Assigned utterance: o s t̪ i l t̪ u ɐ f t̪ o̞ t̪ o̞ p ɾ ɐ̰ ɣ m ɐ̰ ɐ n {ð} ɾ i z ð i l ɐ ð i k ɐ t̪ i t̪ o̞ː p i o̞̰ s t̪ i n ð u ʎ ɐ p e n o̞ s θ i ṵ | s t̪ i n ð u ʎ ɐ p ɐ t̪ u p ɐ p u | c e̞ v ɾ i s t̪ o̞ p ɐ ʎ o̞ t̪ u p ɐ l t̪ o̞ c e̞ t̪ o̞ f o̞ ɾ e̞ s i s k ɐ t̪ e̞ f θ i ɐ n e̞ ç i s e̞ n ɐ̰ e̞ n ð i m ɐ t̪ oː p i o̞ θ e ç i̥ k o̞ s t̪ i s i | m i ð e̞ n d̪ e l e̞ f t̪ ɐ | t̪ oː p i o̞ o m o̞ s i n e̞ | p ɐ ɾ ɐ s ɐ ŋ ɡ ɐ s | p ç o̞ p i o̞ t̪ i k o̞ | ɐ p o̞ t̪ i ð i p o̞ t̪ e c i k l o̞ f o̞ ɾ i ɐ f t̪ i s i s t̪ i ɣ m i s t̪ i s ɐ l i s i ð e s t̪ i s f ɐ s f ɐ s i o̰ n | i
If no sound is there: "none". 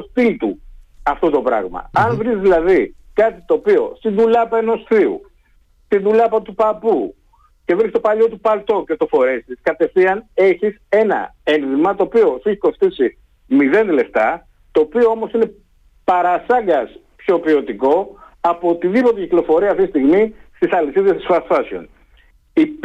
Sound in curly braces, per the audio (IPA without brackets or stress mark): v